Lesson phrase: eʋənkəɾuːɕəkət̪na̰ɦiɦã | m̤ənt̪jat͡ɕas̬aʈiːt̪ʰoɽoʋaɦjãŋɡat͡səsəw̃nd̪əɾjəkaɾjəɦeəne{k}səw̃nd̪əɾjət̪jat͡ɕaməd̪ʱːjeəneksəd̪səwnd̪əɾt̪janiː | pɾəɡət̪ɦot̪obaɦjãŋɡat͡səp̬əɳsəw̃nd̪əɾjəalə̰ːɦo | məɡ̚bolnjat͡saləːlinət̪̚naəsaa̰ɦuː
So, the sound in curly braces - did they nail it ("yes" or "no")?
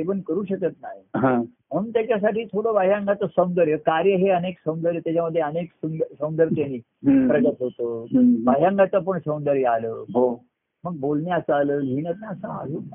yes